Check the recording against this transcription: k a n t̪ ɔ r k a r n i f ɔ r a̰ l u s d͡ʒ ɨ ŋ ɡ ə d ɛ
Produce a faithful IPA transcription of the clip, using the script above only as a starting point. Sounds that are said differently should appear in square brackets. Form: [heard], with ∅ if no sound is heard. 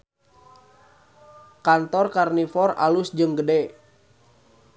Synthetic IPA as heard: k a n t̪ ɔ r k a r n i f ɔ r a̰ l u s d͡ʒ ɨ ŋ ɡ ə d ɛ